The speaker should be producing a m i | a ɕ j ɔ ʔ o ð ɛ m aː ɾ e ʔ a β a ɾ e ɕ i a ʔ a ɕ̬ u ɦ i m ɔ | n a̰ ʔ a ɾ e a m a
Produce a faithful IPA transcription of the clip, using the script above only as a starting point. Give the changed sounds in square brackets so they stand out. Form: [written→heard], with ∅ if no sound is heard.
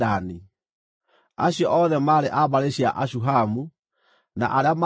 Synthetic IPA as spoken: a [m→n] i | a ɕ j ɔ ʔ [o→ɔ] ð ɛ m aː ɾ e ʔ a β a ɾ e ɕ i a ʔ a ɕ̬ u ɦ [i→a] m [ɔ→u] | n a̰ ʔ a ɾ e a m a